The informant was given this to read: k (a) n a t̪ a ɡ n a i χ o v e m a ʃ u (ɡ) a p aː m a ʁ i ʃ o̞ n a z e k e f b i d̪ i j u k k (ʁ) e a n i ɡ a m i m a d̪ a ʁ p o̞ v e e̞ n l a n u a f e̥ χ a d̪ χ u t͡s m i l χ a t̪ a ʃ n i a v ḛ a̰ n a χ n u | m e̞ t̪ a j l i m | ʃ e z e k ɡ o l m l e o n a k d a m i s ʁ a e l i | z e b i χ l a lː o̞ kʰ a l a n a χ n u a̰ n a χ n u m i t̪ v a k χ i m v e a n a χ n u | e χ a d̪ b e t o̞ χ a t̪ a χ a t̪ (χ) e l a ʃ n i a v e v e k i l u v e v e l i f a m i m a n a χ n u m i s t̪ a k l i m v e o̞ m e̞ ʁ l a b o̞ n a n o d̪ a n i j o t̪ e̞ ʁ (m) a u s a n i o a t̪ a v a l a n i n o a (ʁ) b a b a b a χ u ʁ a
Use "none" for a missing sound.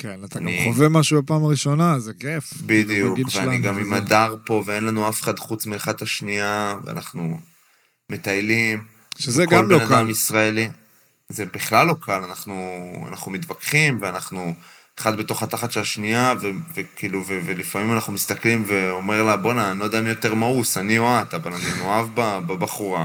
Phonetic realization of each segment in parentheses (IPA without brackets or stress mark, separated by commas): e, b, v, ʃ, m, v